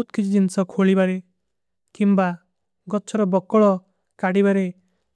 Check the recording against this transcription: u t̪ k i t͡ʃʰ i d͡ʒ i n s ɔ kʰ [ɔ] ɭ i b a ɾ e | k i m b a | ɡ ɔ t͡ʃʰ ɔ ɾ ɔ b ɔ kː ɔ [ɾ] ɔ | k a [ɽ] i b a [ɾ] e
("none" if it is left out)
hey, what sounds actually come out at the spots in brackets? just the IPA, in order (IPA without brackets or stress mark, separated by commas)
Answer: o, ɭ, ɽ, ɾ